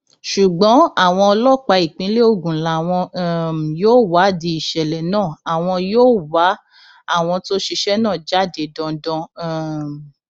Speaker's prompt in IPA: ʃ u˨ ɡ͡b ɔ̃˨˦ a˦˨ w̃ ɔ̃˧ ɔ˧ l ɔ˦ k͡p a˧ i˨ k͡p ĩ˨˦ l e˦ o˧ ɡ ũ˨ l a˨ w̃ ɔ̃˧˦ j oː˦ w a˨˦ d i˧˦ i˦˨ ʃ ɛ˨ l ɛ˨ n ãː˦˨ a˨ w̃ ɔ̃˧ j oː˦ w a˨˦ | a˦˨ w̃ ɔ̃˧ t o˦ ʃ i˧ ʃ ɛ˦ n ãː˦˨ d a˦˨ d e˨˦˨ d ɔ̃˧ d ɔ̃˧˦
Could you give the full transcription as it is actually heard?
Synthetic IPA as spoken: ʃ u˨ ɡ͡b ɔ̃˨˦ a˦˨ w̃ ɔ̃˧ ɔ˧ l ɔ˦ k͡p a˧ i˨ k͡p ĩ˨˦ l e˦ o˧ ɡ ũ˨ l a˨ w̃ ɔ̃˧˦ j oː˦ w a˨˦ d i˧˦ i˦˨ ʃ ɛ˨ l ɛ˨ n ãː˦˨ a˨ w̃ ɔ̃˧ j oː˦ w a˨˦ | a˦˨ w̃ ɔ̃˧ t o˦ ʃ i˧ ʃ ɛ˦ n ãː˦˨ d͡ʒ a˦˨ d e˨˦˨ d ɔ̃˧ d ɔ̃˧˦